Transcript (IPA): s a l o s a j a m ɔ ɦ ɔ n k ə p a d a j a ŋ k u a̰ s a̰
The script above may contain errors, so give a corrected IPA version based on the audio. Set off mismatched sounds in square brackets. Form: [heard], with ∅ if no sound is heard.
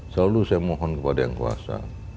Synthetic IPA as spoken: s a l [u] s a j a m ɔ ɦ ɔ n k ə p a d a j a ŋ k u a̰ s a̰